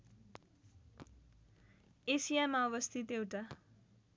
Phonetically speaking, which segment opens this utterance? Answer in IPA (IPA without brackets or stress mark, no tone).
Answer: e